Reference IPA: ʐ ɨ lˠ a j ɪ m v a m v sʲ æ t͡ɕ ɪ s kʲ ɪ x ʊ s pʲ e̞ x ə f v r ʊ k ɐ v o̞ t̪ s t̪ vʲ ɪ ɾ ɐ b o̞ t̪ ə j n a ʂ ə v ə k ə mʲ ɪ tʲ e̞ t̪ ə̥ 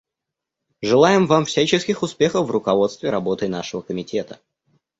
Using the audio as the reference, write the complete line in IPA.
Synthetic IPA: ʐ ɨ lˠ a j ɪ m v a m f sʲ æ t͡ɕ ɪ s kʲ ɪ x ʊ s pʲ e̞ x ə f v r ʊ k ɐ v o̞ t̪ s t̪ vʲ ɪ ɾ ɐ b o̞ t̪ ə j n a ʂ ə v ə k ə mʲ ɪ tʲ e̞ t̪ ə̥